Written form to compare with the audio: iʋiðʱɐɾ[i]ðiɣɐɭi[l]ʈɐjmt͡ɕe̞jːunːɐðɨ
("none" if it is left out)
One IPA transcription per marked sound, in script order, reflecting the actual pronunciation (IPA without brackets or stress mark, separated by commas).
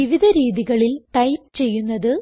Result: iː, l